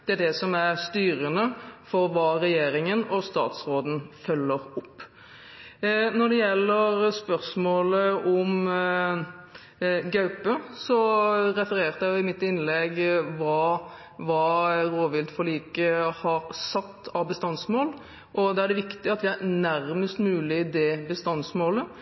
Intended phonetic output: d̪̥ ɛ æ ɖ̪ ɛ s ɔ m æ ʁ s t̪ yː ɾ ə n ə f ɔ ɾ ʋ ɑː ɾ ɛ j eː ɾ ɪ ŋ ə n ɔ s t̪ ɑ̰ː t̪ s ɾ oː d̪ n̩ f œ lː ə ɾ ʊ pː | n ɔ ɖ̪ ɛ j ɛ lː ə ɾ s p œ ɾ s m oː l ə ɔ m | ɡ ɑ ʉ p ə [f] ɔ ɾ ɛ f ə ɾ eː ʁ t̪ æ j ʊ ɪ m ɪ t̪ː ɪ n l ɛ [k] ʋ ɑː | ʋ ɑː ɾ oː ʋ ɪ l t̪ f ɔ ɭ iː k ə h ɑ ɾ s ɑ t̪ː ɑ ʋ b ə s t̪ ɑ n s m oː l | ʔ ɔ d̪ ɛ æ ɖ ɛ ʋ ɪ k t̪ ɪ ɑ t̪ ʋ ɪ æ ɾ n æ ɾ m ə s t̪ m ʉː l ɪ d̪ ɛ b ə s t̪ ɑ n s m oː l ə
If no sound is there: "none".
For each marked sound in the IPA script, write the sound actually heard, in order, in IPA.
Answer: s, ɡ

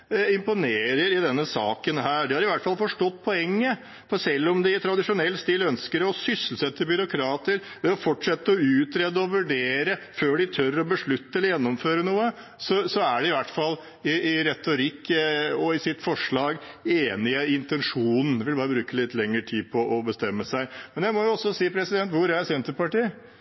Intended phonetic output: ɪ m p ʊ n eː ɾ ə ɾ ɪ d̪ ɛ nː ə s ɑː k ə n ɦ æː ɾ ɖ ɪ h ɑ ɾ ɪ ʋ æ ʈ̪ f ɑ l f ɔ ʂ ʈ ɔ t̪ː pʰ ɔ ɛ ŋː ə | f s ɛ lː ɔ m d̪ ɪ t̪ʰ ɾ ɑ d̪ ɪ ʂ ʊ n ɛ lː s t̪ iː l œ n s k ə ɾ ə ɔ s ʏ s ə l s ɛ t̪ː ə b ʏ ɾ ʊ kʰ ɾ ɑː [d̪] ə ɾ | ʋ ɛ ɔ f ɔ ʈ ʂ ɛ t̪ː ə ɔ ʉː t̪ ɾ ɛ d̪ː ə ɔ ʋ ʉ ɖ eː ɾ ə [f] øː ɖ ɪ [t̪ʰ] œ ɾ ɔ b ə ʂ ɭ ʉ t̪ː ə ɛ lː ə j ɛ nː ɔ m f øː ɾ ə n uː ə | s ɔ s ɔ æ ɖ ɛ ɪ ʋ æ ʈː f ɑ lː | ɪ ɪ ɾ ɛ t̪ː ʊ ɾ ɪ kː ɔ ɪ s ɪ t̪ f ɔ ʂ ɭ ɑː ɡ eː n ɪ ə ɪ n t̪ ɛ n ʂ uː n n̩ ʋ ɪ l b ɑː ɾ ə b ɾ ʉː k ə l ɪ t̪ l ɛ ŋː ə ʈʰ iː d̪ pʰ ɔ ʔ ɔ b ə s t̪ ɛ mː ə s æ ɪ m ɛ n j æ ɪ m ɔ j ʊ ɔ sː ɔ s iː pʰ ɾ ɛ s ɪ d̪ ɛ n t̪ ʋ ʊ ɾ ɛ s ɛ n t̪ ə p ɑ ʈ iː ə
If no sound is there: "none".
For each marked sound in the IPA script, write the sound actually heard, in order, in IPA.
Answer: t̪, f, t̪ʰ

